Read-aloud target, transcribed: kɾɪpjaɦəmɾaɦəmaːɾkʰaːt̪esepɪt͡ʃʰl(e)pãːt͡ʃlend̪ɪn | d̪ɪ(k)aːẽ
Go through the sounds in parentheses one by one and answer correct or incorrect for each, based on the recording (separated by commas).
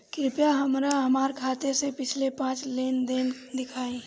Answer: correct, incorrect